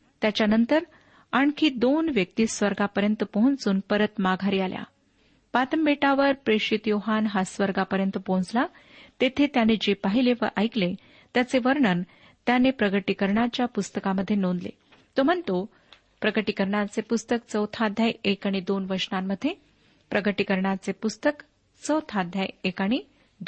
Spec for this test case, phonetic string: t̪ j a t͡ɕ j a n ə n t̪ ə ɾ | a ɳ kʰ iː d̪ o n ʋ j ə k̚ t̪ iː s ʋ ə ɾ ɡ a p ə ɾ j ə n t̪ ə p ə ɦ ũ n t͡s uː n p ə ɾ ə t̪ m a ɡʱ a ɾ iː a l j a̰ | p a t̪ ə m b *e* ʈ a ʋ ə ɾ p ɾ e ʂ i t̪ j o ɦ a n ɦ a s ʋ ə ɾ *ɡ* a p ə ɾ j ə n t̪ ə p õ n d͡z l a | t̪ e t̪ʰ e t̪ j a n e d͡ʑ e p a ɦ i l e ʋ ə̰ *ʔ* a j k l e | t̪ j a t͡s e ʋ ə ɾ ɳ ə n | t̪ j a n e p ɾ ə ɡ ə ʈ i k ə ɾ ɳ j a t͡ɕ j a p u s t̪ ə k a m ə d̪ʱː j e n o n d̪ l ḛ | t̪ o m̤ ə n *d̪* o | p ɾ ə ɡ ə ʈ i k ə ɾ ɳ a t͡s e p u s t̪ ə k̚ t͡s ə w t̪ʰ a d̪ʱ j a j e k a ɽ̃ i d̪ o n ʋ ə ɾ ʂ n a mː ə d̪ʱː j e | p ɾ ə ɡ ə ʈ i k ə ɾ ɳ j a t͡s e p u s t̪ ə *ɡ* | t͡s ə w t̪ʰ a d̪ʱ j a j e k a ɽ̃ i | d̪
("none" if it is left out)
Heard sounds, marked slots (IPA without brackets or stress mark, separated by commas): e, ɡ, ʔ, t̪, k